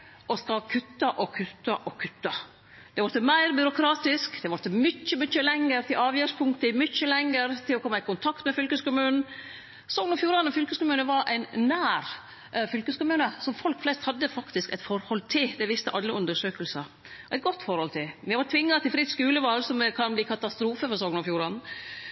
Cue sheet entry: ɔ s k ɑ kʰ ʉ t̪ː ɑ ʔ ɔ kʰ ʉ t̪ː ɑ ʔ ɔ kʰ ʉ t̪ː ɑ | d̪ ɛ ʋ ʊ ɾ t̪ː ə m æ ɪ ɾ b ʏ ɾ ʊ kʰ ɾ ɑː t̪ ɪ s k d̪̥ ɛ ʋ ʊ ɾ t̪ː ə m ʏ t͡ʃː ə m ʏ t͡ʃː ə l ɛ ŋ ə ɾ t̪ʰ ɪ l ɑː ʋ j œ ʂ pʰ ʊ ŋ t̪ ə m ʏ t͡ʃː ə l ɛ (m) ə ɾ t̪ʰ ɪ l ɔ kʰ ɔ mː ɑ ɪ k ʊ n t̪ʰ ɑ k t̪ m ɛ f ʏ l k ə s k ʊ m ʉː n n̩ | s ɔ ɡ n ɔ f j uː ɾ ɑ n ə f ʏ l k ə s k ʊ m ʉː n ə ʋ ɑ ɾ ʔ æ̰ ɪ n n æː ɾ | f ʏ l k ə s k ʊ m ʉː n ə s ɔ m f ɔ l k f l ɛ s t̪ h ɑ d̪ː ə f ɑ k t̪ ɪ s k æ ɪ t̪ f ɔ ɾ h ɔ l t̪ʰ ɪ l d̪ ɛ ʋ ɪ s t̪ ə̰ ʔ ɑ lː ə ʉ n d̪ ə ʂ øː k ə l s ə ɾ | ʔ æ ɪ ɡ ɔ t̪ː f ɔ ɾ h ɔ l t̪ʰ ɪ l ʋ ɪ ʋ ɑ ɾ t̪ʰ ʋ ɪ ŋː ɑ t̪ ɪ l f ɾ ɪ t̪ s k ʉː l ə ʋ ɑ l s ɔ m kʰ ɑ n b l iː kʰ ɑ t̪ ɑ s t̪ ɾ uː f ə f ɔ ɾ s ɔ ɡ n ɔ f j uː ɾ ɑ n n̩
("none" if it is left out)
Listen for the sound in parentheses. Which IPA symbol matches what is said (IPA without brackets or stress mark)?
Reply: ŋ